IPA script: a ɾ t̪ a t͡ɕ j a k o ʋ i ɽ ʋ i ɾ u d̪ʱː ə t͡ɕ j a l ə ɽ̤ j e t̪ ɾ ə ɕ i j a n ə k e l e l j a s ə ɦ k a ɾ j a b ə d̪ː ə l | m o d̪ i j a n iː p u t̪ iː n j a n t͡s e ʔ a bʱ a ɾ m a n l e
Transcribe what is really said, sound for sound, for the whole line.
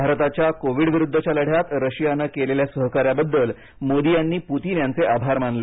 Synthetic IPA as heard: a ɾ t̪ a t͡ɕ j a k o ʋ i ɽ ʋ i ɾ u d̪ʱː ə t͡ɕ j a l ə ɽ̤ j a t̪ ɾ ə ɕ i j a n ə k e l e l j a s ə ɦ k a ɾ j a b ə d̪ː ə l | m o d̪ i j a nː iː p u t̪ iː n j a n t͡s e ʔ a bʱ a ɾ m a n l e

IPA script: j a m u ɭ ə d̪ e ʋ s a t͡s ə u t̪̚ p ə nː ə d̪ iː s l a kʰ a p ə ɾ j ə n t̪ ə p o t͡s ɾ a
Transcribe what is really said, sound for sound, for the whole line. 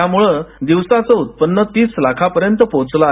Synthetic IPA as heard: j a m u ɭ ə d̪ i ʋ s a t͡s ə u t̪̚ p ə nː ə t̪ iː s l a kʰ a p ə ɾ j ə n t̪ ə p o t͡s l a

